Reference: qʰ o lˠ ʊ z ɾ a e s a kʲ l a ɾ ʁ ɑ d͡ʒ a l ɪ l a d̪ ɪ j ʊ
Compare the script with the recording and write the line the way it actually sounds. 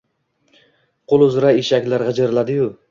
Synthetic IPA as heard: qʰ o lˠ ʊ z ɾ a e ʃ a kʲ l a ɾ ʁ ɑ d͡ʒ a ɾ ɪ l a d̪ ɪ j ʊ